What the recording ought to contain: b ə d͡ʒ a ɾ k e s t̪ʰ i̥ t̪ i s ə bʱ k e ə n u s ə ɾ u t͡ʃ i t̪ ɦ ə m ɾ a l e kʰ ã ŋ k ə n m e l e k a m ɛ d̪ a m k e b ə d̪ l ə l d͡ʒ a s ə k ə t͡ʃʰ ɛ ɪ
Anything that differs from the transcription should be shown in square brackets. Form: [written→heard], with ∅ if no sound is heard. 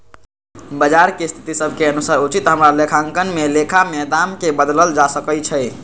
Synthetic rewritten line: b ə d͡ʒ a ɾ k e s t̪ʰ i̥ t̪ i s ə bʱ k e ə n u s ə ɾ u t͡ʃ i t̪ ɦ ə m ɾ a l e kʰ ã ŋ k ə n m e l e [k→kʰ] a m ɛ d̪ a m k e b ə d̪ l ə l d͡ʒ a s ə k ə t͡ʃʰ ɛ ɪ